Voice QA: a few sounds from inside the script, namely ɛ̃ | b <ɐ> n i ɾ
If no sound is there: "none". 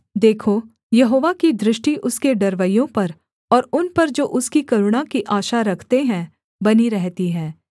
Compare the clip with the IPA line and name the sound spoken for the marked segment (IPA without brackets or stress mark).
ɐ